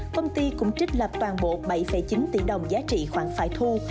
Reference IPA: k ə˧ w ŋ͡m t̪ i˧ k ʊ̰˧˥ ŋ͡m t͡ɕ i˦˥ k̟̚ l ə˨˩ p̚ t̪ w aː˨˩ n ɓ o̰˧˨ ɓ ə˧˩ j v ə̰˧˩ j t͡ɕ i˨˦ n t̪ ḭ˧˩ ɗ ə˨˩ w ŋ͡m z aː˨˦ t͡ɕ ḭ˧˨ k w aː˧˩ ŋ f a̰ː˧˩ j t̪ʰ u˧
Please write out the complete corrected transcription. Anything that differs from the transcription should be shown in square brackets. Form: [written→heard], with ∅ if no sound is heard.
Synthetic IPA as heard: k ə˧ w ŋ͡m t̪ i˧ k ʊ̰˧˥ ŋ͡m t͡ɕ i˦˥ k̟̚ l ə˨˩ p̚ t̪ w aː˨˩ n ɓ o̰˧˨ ɓ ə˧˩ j [v→f] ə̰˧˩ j t͡ɕ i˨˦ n t̪ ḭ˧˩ ɗ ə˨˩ w ŋ͡m z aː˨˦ t͡ɕ ḭ˧˨ [k→x] w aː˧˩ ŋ f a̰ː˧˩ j t̪ʰ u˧